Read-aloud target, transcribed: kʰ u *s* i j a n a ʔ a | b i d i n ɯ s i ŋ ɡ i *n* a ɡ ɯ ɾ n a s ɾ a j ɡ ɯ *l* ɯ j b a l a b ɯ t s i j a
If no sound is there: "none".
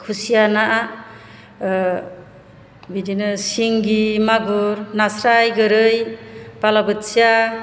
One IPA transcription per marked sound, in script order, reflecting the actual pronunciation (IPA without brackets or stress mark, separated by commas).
s, m, ɾ